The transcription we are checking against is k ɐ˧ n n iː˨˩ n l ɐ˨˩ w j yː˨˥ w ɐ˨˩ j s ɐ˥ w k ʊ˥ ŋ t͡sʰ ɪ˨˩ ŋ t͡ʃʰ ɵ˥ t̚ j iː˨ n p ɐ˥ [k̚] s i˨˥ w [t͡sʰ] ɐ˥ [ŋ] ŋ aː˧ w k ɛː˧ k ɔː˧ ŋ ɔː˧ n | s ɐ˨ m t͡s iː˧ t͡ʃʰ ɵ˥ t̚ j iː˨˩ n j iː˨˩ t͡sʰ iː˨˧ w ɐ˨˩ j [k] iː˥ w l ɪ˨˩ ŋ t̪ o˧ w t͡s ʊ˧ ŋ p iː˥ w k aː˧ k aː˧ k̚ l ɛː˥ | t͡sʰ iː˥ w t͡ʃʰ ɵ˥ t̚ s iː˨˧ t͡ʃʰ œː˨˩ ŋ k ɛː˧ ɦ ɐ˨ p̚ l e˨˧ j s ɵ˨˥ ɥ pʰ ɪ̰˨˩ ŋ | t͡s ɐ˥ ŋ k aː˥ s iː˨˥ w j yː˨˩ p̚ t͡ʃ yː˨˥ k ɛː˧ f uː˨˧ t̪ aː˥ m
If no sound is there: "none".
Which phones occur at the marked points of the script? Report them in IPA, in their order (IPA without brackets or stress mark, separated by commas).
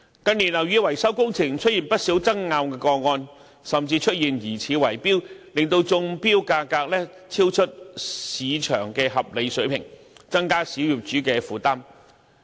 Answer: t̚, t͡s, ŋ, p